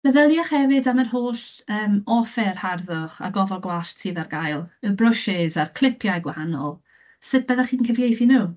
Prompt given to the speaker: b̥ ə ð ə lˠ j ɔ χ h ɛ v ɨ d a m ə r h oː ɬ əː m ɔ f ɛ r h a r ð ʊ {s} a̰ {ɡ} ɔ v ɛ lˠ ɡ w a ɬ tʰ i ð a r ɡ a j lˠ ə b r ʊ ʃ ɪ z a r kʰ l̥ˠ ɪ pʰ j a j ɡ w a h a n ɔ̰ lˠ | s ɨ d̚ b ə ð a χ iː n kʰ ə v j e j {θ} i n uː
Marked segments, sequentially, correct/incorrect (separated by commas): incorrect, correct, correct